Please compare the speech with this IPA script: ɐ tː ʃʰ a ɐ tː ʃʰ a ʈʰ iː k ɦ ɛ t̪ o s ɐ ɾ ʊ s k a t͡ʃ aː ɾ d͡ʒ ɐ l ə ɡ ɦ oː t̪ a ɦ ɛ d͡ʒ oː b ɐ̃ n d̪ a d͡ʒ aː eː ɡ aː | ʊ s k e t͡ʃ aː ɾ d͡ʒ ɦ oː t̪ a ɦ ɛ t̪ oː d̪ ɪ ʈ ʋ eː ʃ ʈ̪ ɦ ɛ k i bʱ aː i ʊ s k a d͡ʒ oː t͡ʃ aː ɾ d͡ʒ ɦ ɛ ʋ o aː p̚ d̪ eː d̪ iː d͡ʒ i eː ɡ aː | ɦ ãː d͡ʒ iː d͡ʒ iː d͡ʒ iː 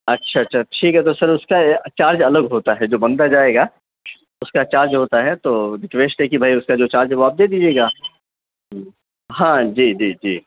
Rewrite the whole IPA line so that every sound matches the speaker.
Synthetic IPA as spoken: ɐ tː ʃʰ a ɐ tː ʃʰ a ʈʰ iː k ɦ ɛ t̪ o s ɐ ɾ ʊ s k a t͡ʃ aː ɾ d͡ʒ ɐ l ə ɡ ɦ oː t̪ a ɦ ɛ d͡ʒ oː b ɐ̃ n d̪ a d͡ʒ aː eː ɡ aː | ʊ s k a t͡ʃ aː ɾ d͡ʒ ɦ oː t̪ a ɦ ɛ t̪ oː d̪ ɪ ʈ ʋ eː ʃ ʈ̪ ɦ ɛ k i bʱ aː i ʊ s k a d͡ʒ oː t͡ʃ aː ɾ d͡ʒ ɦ ɛ ʋ o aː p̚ d̪ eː d̪ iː d͡ʒ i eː ɡ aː | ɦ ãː d͡ʒ iː d͡ʒ iː d͡ʒ iː

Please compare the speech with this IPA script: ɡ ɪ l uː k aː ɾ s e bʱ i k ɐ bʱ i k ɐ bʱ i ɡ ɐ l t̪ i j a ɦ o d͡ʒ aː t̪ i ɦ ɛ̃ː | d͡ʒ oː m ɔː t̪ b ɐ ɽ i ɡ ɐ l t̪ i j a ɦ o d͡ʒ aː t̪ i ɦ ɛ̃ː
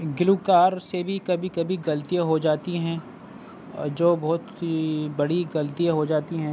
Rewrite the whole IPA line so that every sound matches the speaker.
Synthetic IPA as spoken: ɡ ɪ l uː k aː ɾ s e bʱ i k ɐ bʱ i k ɐ bʱ i ɡ ɐ l t̪ i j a ɦ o d͡ʒ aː t̪ i ɦ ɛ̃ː | d͡ʒ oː b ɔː t̪ b ɐ ɽ i ɡ ɐ l t̪ i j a ɦ o d͡ʒ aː t̪ i ɦ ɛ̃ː

